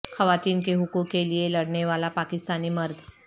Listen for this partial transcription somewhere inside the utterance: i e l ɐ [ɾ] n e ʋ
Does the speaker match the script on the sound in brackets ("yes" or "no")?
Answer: no